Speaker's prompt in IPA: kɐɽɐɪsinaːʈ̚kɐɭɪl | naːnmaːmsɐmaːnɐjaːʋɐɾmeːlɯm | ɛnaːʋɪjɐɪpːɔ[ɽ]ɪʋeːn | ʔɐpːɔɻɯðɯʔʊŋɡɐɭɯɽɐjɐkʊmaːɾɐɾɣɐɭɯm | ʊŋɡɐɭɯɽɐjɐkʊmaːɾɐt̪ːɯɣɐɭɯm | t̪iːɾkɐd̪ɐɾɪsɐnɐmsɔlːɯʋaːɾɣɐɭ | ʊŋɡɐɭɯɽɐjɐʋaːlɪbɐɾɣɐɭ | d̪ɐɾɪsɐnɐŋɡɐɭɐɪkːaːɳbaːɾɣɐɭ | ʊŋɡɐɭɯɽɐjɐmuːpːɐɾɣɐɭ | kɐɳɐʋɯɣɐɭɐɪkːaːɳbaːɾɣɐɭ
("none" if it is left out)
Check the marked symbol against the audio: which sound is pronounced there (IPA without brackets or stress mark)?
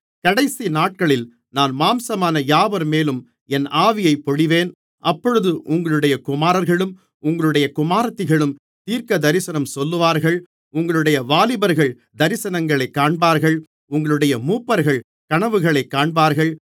ɽ